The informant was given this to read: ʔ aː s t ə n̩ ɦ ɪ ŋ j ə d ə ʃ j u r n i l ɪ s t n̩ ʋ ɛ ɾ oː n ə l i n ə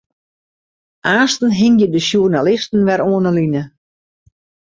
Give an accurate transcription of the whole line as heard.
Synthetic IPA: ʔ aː s t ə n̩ ɦ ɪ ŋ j ə d ə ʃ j u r n a l ɪ s t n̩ ʋ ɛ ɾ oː n ə l i n ə

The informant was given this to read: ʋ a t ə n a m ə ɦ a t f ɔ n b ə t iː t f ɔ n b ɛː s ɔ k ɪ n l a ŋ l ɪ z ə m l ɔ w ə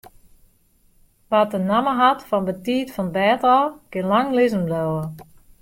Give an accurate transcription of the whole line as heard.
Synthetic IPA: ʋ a t ə n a m ə ɦ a t f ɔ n b ə t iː t f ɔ n b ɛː t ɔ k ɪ n l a ŋ l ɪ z ə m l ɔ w ə

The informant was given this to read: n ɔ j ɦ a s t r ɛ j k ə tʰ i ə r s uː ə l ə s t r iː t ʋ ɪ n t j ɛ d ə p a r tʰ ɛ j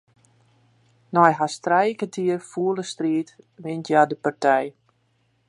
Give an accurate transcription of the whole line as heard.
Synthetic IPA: n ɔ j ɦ a s t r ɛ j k ə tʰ i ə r f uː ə l ə s t r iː t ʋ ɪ n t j a d ə p a r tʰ ɛ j

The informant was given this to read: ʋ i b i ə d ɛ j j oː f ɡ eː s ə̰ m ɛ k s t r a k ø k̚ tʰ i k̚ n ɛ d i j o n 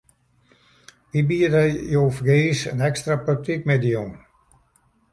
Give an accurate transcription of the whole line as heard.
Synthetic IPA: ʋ i b i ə d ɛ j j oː f ɡ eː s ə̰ n ɛ k s t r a p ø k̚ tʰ i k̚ m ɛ d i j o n

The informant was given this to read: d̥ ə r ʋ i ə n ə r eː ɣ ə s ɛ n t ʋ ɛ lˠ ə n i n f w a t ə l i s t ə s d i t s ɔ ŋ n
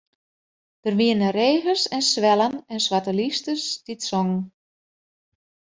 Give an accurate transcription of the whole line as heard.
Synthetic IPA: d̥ ə r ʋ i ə n ə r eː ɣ ə s ɛ n s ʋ ɛ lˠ ə n ɛ n s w a t ə l i s t ə s d i t s ɔ ŋ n

